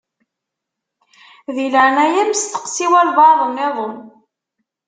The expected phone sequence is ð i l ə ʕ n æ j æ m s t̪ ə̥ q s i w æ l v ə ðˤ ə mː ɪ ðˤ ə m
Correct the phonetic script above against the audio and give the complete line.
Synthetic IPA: ð i l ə ʕ n æ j æ m s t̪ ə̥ q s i w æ l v ɑ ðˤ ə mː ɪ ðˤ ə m